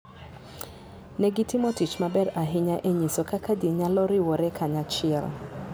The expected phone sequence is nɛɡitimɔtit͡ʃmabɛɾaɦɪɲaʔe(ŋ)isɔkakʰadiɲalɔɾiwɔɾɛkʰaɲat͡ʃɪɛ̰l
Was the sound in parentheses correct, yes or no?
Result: no